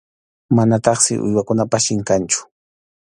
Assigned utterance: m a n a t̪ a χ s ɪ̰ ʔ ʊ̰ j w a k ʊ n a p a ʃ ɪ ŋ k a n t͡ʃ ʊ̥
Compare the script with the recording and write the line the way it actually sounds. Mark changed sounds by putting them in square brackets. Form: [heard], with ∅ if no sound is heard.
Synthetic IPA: m a n a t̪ [ɑ] χ s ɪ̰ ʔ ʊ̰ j w a k ʊ n a p a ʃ ɪ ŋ k a n t͡ʃ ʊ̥